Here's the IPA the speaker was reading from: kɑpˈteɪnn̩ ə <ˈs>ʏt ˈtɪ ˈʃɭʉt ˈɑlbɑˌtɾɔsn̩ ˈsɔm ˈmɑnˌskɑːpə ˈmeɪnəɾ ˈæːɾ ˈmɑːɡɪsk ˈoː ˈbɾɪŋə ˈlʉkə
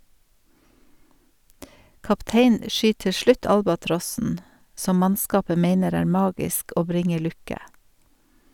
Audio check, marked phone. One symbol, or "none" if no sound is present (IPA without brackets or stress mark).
ʃ